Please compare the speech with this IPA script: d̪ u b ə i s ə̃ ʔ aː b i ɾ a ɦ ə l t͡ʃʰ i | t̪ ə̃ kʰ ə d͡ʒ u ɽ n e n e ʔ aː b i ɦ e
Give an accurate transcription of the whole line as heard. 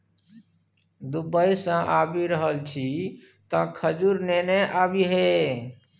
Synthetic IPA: d̪ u b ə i s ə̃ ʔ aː b i ɾ ə ɦ ə l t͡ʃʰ i | t̪ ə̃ kʰ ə d͡ʒ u ɾ n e n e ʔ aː b i ɦ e